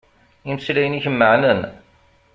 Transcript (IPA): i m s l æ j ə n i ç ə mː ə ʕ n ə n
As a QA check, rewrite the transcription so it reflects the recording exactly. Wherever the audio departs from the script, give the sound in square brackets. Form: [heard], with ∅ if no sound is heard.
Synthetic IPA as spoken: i m s l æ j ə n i ç ə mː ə ʕ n ə n